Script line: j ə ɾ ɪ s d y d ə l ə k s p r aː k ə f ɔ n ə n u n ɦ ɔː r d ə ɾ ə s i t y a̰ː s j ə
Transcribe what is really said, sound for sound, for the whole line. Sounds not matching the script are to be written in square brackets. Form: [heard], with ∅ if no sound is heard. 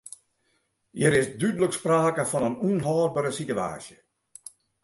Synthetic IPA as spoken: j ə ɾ ɪ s d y d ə l ə k s p r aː k ə f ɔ n ə n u n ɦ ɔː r [b] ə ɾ ə s i t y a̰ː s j ə